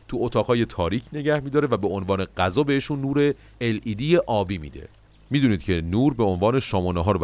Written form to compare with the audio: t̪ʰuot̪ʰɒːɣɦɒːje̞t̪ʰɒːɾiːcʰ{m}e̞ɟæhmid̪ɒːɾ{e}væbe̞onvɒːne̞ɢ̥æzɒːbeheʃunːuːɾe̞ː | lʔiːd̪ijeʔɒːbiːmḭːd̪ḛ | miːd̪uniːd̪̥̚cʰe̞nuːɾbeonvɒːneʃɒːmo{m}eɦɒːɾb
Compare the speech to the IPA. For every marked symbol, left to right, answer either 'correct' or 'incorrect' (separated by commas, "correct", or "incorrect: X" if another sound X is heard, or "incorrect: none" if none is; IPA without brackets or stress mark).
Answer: incorrect: n, correct, incorrect: n